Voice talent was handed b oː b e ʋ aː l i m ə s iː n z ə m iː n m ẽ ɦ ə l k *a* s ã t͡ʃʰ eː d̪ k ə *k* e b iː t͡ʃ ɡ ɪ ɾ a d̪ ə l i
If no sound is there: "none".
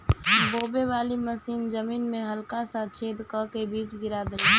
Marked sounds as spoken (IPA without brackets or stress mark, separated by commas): a, k